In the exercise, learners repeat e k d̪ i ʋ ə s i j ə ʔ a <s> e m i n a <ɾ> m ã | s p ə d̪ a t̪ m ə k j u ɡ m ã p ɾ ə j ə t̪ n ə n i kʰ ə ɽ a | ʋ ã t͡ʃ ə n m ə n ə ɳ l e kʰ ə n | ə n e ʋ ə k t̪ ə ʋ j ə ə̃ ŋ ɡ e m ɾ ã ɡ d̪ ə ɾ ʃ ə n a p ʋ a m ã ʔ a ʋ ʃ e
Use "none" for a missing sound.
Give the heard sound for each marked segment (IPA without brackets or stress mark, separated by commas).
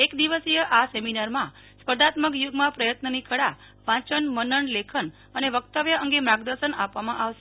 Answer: s, ɾ